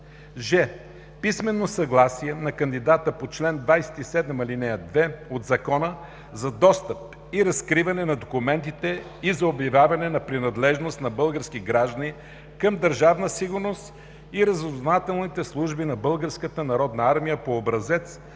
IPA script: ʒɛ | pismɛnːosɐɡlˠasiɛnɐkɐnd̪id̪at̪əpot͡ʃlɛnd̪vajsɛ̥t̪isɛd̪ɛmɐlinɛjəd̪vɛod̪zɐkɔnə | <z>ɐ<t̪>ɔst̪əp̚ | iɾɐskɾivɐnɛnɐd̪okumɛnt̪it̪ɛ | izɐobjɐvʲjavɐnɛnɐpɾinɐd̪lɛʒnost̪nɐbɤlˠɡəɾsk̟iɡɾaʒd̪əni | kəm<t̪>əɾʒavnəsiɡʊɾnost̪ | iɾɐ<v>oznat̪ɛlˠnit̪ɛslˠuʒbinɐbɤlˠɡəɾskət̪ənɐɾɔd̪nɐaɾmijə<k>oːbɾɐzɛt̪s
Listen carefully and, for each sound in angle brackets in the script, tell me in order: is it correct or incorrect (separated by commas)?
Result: correct, incorrect, incorrect, incorrect, incorrect